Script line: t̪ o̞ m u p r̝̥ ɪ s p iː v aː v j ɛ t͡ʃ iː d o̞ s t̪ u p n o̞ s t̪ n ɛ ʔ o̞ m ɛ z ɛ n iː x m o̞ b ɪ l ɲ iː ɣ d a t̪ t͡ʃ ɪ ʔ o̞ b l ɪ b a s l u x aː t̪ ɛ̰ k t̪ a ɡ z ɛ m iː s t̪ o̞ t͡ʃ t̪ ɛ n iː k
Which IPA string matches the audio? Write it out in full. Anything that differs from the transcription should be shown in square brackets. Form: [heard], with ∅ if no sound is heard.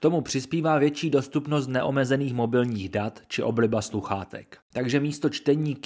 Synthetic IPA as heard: t̪ o̞ m u p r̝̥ ɪ s p iː v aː v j ɛ t͡ʃ iː d o̞ s t̪ u p n o̞ s t̪ n ɛ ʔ o̞ m ɛ z ɛ n iː x m o̞ b ɪ l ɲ iː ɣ d a t̪ t͡ʃ ɪ ʔ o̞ b l ɪ b a s l u x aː t̪ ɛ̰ k t̪ a ɡ [ʒ] ɛ m iː s t̪ o̞ t͡ʃ t̪ ɛ [ɲ] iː k